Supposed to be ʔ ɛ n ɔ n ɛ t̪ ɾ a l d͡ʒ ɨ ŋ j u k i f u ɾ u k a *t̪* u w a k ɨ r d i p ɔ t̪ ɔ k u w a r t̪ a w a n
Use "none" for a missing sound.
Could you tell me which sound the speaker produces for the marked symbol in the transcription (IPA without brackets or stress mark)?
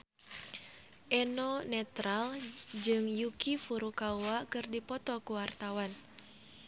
none